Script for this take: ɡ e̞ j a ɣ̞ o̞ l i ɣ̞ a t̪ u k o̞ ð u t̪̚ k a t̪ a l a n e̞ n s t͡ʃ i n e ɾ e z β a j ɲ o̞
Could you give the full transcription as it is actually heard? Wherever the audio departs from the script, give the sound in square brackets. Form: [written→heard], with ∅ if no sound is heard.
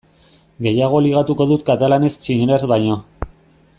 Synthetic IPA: ɡ e̞ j a ɣ̞ o̞ l i ɣ̞ a t̪ u k o̞ ð u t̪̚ k a t̪ a l a n e̞ [n→∅] s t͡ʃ i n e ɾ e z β a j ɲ o̞